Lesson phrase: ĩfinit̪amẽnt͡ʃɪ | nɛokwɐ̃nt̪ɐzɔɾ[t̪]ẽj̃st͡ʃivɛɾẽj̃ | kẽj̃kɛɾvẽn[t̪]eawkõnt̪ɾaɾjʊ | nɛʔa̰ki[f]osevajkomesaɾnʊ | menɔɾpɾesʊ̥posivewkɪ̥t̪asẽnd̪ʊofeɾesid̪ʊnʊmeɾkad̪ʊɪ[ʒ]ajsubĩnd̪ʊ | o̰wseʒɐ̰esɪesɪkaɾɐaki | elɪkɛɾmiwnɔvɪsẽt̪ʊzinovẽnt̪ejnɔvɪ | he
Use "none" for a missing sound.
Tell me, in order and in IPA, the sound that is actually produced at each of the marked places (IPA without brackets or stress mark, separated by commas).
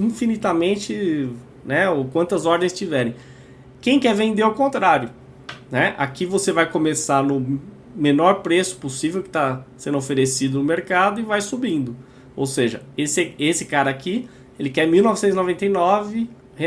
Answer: d̪, d̪, v, v